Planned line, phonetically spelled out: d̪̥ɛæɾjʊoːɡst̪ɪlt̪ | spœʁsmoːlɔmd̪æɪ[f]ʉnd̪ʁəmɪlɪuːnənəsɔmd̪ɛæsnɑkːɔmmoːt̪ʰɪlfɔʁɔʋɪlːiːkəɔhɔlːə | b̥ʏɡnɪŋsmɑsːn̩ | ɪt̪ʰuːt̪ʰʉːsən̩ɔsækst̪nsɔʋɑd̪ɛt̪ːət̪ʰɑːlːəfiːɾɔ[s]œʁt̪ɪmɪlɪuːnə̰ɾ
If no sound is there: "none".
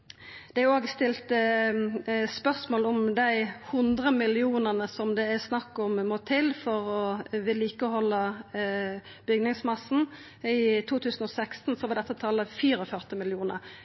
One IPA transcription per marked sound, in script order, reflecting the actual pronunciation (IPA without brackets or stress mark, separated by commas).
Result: h, f